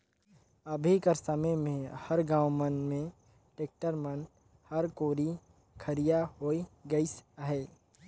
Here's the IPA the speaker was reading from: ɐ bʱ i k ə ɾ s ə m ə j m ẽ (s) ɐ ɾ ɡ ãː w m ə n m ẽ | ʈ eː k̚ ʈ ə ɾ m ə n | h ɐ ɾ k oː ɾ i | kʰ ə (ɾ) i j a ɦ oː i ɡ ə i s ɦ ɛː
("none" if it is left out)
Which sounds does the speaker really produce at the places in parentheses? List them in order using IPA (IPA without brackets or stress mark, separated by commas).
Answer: h, ɾ